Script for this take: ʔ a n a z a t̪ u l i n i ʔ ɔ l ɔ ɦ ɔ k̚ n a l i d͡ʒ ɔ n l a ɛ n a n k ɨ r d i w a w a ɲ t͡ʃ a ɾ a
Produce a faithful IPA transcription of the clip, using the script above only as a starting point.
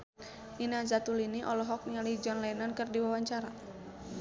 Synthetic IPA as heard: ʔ i n a z a t̪ u l i n i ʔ ɔ l ɔ ɦ ɔ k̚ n a l i d͡ʒ ɔ n l a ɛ n a n k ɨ r d i w a w a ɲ t͡ʃ a ɾ a